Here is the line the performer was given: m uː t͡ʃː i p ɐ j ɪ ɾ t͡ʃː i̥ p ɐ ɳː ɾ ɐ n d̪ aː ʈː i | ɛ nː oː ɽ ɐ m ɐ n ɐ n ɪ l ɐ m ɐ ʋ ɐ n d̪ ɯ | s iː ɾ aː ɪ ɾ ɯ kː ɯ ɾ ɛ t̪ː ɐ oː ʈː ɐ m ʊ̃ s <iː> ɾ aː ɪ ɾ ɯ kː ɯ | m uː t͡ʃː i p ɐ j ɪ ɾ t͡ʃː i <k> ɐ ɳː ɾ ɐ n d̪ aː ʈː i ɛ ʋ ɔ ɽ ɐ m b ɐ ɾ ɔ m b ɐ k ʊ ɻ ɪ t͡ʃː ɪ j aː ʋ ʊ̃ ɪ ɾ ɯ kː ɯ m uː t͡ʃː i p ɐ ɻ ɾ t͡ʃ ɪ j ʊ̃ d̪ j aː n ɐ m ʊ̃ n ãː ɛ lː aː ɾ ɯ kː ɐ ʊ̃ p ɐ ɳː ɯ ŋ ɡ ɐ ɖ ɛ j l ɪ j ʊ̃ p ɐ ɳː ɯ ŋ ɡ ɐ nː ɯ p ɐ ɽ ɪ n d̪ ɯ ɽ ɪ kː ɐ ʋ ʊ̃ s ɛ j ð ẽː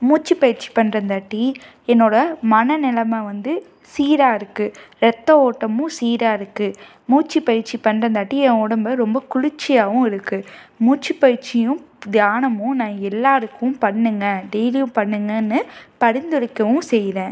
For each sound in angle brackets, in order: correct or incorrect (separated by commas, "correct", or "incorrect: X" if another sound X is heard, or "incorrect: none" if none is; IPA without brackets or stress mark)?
correct, incorrect: p